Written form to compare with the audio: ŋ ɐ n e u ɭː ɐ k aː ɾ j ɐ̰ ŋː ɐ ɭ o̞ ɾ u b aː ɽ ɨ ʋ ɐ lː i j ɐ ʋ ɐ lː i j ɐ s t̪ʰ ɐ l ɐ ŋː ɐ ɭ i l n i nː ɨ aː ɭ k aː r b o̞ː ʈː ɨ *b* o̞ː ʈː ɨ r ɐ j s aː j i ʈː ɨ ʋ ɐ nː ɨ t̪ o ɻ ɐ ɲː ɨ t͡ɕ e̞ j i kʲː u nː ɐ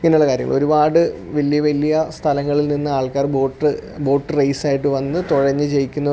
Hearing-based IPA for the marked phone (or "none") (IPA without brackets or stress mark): b